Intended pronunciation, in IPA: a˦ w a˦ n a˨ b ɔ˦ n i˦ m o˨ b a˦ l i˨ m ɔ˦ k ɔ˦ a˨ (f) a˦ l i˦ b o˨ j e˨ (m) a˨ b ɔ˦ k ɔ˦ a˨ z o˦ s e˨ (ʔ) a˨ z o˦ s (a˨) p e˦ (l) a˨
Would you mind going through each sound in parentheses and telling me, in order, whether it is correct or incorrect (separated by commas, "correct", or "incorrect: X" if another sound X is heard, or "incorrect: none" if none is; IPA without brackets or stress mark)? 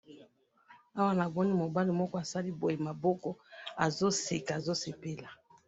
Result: incorrect: s, correct, incorrect: k, incorrect: e˨, correct